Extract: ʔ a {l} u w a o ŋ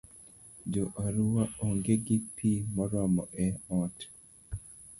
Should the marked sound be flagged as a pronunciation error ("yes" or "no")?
yes